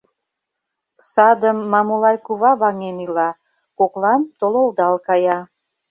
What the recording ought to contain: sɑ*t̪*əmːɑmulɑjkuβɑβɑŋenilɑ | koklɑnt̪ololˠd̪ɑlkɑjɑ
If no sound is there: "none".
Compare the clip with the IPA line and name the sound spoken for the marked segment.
d̪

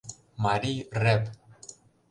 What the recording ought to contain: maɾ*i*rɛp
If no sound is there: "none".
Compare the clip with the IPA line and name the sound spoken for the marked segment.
i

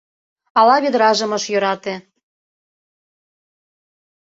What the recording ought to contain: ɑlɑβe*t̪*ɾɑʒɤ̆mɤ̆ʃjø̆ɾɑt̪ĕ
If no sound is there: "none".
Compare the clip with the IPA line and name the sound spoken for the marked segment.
d̪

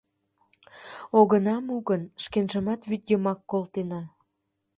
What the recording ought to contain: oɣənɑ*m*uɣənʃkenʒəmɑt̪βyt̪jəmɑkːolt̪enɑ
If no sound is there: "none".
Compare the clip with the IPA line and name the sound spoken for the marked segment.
m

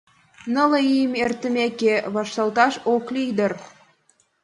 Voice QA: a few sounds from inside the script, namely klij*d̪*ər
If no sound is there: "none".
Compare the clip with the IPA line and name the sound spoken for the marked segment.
d̪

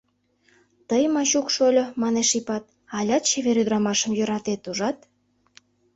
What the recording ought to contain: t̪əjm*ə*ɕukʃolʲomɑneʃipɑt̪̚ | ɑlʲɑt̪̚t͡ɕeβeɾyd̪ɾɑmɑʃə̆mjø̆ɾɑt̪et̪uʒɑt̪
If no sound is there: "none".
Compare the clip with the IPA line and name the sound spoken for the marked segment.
ɑ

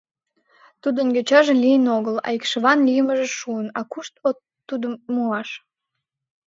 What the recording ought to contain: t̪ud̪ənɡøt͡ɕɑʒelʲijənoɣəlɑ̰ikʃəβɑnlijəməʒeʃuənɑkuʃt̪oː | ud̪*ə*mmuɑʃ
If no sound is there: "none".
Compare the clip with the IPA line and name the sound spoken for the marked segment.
ə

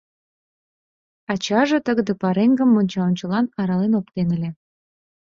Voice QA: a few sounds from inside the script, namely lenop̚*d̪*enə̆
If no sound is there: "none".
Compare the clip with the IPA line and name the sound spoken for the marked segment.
t̪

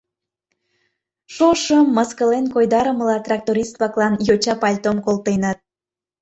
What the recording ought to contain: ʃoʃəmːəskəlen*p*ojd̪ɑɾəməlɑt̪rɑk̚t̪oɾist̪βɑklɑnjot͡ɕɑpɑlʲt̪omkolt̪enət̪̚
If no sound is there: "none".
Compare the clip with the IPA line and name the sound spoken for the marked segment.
k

